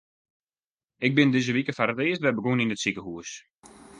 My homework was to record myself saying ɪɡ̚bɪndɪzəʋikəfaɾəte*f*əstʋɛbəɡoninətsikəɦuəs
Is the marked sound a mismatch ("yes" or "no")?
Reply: yes